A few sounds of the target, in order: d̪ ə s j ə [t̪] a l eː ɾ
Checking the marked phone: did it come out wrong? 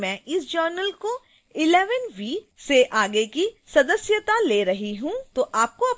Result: no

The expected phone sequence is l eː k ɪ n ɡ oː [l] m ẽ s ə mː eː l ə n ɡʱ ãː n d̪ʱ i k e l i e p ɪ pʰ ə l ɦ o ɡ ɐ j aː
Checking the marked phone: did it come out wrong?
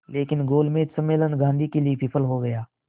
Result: no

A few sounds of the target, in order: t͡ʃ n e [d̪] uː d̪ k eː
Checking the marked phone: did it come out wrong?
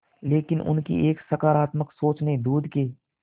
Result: no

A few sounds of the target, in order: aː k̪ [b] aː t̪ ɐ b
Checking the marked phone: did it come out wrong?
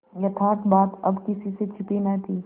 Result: no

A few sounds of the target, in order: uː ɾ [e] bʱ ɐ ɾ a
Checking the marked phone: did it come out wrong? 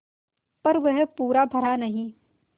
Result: yes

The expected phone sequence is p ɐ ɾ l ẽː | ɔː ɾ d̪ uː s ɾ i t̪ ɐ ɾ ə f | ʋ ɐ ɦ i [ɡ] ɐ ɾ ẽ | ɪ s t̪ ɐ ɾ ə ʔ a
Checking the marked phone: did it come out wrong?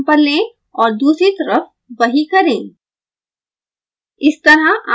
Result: yes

